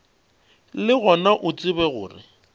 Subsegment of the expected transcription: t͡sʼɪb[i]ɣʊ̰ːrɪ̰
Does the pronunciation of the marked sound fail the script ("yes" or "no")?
yes